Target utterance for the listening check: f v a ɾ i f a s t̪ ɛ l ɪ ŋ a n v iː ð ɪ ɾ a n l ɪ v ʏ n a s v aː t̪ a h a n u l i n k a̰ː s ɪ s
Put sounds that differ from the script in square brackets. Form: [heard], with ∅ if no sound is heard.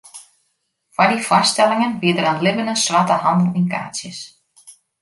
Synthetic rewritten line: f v a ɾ i f a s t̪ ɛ l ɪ ŋ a n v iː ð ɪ ɾ a n l ɪ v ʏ n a s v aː t̪ a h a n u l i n k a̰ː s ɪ s